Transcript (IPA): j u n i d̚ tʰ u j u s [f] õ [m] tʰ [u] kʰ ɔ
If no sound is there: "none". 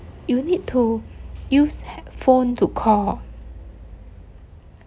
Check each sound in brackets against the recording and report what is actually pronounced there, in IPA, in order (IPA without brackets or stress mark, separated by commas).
f, n, u